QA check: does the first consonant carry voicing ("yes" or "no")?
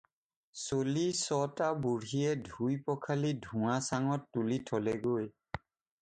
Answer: no